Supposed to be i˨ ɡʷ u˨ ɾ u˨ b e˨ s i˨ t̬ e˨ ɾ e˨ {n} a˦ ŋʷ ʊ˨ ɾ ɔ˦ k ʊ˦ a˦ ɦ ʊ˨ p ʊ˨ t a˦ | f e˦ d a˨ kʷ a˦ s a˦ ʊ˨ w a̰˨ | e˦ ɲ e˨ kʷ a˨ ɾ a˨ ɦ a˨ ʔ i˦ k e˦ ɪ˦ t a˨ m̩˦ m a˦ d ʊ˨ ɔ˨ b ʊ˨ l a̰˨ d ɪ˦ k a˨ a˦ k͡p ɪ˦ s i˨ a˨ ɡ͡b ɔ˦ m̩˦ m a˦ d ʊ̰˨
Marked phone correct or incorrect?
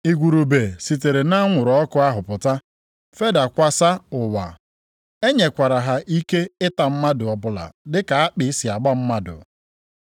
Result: correct